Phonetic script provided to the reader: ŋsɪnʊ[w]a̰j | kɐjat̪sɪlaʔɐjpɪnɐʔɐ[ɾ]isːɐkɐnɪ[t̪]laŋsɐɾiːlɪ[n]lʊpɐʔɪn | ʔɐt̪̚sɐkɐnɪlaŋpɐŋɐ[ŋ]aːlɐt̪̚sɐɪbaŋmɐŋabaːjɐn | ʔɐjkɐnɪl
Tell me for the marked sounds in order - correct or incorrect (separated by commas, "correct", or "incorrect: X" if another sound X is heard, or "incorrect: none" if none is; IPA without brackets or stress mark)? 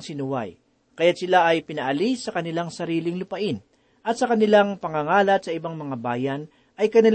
correct, incorrect: l, incorrect: none, incorrect: ŋ, correct